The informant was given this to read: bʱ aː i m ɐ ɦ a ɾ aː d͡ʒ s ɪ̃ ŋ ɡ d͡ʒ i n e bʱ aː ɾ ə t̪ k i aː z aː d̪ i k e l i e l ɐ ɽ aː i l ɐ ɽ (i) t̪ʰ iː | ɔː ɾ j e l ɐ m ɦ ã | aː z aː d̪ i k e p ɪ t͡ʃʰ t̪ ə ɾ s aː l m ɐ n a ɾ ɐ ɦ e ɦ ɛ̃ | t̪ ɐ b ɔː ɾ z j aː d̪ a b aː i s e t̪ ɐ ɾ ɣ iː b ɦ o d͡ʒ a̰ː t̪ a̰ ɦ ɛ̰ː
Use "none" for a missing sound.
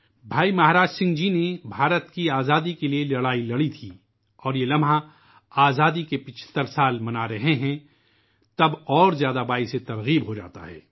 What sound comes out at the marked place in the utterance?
i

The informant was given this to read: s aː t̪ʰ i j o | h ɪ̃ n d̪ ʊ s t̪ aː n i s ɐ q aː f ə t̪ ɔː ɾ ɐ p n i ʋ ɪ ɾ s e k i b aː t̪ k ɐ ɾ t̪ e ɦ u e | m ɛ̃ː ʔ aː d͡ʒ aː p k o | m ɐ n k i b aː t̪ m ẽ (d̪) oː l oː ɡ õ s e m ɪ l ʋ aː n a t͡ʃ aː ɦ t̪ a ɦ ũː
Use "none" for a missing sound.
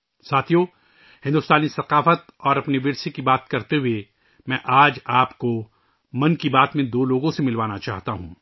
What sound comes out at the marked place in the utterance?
d̪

